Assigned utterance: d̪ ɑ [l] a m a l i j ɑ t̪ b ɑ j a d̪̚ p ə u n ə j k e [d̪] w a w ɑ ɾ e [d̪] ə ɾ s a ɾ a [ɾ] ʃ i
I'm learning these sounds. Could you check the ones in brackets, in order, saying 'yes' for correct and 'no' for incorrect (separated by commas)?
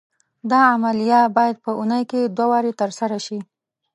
no, yes, no, no